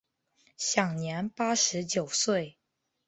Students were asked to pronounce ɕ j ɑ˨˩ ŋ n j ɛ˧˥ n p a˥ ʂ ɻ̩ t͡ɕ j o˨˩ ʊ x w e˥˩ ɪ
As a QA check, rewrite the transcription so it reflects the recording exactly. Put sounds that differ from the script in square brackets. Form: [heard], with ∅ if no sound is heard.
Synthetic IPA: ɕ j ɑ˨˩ ŋ n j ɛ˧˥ n p a˥ ʂ ɻ̩ t͡ɕ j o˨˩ ʊ [s] w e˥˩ ɪ